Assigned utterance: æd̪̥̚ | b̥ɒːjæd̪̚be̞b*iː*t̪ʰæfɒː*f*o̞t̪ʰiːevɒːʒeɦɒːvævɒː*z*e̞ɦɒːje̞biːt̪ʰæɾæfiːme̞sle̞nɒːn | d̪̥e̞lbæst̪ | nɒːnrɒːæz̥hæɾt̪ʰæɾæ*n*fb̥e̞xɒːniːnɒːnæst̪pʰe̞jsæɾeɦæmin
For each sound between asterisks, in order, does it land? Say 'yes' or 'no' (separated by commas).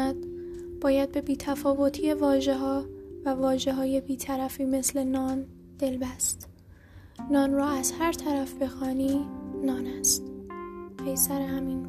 yes, no, no, no